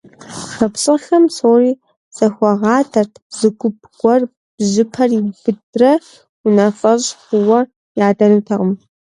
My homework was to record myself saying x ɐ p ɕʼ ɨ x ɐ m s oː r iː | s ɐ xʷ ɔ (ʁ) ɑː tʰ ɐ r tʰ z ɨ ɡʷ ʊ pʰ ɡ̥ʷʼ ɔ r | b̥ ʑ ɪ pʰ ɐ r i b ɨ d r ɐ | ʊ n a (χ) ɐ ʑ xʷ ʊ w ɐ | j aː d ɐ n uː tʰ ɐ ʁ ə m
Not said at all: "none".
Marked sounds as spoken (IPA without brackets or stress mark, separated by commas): ʁ, f